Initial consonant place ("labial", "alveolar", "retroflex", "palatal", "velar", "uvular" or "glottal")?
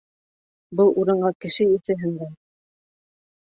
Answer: labial